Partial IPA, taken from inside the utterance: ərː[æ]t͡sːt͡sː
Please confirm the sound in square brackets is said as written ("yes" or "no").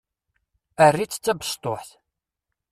no